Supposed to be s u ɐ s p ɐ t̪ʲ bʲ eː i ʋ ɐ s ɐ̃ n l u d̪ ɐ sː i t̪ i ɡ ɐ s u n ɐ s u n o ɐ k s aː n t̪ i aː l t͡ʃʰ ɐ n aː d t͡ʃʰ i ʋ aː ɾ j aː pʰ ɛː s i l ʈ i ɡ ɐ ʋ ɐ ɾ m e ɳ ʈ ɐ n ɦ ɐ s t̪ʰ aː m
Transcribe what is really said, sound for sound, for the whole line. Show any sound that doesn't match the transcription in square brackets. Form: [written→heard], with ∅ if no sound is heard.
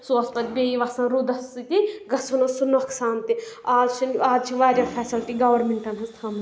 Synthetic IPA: s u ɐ s p ɐ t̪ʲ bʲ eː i ʋ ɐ s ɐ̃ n [l→ɾ] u d̪ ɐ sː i t̪ i ɡ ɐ s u n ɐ s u n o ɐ k s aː n t̪ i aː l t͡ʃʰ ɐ n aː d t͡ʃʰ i ʋ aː ɾ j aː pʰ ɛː s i l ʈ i ɡ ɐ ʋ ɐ ɾ m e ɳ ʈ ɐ n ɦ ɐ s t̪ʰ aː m